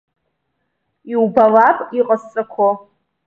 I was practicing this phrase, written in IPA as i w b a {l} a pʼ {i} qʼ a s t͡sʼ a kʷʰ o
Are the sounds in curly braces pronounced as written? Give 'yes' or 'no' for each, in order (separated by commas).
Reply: yes, yes